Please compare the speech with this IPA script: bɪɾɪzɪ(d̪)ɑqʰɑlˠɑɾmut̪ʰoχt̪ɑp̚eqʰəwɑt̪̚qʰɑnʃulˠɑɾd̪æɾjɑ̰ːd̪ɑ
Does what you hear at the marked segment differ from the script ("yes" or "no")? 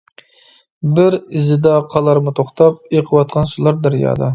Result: no